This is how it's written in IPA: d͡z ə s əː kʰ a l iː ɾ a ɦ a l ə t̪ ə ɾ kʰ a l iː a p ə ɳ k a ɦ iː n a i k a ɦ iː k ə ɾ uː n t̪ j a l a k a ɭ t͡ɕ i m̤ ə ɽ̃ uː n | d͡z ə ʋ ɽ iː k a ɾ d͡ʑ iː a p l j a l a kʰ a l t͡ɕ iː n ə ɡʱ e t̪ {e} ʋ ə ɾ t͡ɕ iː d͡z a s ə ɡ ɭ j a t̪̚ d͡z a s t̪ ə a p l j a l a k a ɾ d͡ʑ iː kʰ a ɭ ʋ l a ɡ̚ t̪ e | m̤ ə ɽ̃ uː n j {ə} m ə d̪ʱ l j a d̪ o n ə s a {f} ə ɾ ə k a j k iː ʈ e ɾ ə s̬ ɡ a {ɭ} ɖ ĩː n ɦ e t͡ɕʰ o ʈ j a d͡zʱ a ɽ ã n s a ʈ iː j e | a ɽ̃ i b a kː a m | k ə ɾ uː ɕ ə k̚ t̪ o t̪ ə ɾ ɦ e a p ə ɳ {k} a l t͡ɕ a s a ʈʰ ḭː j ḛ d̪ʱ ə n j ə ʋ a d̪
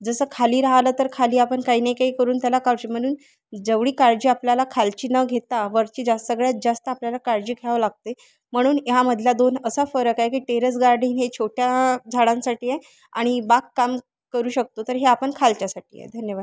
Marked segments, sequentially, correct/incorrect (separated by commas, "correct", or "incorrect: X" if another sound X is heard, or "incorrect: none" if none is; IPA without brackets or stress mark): incorrect: a, incorrect: a, correct, incorrect: ɾ, incorrect: kʰ